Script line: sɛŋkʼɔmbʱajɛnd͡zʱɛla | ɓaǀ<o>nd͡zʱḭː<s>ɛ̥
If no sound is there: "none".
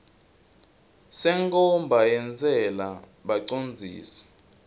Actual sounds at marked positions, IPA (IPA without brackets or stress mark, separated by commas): o, s